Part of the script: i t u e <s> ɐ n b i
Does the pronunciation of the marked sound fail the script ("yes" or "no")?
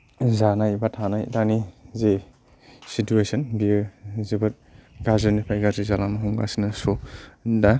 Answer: no